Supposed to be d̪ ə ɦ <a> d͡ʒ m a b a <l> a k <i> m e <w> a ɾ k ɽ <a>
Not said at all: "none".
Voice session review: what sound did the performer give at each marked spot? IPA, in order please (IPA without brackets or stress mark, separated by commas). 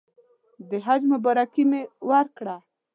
a, ɾ, i, w, a